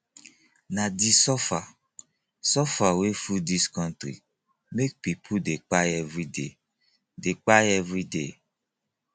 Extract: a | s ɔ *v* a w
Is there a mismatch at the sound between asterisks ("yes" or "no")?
yes